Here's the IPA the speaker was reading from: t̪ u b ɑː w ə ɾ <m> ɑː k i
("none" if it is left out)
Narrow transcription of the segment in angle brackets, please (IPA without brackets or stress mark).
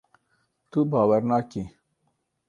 n